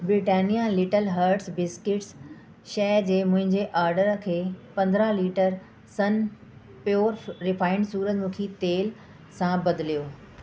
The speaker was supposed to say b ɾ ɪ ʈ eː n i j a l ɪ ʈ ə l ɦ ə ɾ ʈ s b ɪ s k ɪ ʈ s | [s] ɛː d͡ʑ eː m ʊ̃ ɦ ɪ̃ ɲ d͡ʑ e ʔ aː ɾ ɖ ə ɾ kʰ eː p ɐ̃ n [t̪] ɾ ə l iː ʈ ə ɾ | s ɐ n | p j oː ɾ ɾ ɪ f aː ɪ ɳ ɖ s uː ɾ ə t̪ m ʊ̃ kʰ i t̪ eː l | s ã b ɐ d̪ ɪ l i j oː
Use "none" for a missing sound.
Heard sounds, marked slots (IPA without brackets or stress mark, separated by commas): ʃ, d̪